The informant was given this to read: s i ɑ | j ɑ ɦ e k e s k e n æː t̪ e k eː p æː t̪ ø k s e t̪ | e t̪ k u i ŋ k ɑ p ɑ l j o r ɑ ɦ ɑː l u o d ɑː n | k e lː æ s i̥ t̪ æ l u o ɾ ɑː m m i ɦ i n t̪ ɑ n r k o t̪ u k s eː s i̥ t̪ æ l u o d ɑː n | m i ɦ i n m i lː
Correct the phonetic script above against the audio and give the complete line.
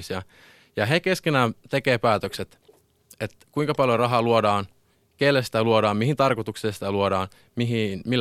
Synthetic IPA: s i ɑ | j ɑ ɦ e k e s k e n æː t̪ e k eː p æː t̪ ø k s e t̪ | e t̪ k u i ŋ k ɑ p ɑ l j o r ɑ ɦ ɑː l u o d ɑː n | k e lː æ s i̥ t̪ æ l u o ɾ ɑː m m i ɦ i n t̪ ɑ r k o t̪ u k s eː s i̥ t̪ æ l u o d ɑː n | m i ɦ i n m i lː